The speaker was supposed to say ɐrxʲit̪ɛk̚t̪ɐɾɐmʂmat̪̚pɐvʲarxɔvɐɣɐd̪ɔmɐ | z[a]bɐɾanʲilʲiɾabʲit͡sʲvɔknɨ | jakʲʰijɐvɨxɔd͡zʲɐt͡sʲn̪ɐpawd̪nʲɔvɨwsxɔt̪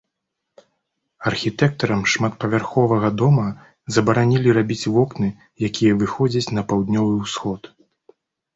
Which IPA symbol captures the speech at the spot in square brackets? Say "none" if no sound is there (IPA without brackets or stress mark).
ɐ